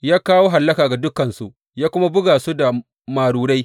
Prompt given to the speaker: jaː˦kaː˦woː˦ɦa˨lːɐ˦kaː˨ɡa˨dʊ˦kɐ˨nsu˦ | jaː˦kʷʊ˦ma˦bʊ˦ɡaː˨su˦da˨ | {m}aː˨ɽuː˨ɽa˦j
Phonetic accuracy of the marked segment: correct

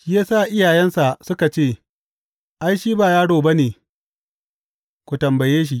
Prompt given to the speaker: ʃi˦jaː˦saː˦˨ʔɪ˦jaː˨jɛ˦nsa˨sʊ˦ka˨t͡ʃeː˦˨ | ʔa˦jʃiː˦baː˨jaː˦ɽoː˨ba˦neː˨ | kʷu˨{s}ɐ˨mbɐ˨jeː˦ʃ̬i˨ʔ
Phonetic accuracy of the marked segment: incorrect: t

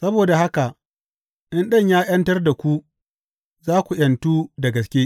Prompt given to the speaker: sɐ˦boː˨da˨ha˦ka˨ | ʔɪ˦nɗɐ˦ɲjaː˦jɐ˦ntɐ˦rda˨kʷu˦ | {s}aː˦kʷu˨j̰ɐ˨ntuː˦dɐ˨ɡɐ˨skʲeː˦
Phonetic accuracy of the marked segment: incorrect: z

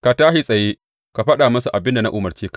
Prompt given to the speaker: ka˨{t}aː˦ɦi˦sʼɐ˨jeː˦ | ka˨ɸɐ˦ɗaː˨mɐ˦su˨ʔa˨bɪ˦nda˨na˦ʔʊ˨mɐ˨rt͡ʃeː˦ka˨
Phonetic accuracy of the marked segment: correct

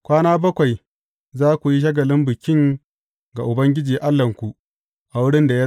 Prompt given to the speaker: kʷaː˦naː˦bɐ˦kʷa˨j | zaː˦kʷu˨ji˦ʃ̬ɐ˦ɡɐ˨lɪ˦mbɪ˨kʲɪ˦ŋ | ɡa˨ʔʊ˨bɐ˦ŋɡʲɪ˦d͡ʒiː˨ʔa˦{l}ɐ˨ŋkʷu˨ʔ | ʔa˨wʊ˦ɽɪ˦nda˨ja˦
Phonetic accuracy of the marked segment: incorrect: lː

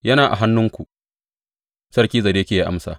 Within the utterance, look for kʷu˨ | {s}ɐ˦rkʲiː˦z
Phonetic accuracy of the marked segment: correct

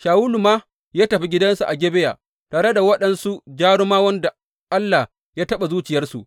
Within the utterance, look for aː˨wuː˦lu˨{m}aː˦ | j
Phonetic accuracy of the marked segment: correct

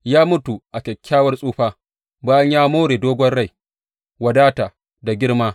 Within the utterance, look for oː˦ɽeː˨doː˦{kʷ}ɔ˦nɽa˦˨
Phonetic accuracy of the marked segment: incorrect: ɡʷ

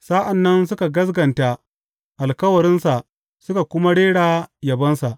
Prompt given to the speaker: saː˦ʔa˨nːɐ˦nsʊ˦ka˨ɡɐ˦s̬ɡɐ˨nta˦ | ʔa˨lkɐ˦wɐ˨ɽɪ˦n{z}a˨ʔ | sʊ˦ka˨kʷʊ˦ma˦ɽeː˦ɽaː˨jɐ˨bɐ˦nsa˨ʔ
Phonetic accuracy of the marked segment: incorrect: s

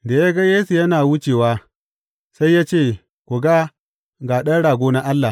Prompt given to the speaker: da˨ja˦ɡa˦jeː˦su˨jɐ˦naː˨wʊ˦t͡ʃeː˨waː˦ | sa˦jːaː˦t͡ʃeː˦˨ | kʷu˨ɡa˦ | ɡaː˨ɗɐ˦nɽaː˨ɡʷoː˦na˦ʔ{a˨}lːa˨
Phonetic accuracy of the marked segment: incorrect: a˦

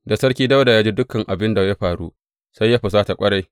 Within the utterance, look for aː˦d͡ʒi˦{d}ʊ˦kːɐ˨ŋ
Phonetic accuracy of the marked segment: correct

